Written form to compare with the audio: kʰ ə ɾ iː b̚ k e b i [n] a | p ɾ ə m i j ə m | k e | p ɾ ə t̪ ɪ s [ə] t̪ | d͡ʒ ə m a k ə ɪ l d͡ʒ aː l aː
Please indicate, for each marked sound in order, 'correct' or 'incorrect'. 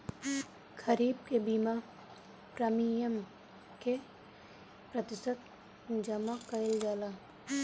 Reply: incorrect: m, correct

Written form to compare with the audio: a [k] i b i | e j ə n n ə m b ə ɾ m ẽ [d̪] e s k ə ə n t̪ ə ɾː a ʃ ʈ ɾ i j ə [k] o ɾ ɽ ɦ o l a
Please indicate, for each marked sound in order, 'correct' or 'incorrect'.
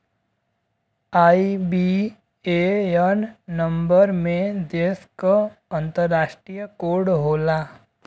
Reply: incorrect: none, correct, correct

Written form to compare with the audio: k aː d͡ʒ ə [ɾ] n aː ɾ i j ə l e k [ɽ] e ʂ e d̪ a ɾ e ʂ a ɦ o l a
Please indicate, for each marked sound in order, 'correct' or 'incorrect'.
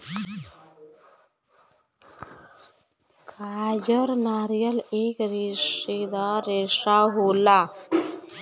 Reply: correct, incorrect: ɾ

